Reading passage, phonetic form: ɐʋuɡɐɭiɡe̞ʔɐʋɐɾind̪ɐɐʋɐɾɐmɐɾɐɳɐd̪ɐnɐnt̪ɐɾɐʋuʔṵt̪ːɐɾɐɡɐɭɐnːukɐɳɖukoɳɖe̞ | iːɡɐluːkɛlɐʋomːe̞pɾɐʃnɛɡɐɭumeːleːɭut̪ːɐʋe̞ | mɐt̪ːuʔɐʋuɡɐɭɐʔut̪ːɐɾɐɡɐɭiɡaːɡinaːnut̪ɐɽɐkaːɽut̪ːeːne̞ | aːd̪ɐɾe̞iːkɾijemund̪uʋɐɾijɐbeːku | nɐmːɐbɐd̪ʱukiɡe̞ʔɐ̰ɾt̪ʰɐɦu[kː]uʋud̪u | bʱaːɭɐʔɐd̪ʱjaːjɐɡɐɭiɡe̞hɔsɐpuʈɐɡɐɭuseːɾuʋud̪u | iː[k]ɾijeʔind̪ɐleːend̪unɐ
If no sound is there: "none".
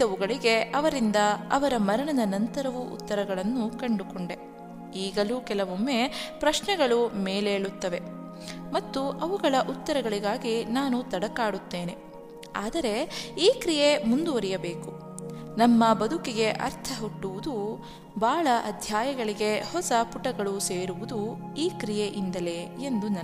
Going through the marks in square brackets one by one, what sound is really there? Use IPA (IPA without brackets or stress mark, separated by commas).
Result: ʈː, k